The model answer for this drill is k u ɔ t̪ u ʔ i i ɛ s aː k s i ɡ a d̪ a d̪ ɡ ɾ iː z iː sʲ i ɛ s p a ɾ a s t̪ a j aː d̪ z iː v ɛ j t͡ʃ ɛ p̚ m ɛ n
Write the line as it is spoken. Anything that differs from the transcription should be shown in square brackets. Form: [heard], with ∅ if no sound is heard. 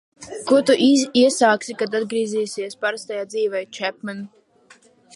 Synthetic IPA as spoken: k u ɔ t̪ u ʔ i i ɛ s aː k s i [k] a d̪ a d̪ ɡ ɾ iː z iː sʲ i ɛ s p a ɾ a s t̪ a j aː d̪ z iː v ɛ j t͡ʃ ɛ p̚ m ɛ n